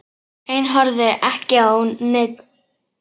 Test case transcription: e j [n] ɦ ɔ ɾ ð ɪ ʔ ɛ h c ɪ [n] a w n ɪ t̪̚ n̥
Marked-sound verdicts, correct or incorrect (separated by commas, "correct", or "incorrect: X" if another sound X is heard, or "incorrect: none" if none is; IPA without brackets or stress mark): correct, incorrect: none